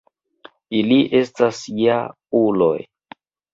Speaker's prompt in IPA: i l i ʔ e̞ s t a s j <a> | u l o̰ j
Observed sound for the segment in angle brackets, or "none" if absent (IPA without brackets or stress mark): a